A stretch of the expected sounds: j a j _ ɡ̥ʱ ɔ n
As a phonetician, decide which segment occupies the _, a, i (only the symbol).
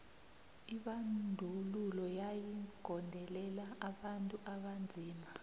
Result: i